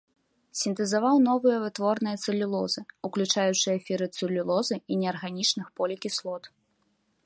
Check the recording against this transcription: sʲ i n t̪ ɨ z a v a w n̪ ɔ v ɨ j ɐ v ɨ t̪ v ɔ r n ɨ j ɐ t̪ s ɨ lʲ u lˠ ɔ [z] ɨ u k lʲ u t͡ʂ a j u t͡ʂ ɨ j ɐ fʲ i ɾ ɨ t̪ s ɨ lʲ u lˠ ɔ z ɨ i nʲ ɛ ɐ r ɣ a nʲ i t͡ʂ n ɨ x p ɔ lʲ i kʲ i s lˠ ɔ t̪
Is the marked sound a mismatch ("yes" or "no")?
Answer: no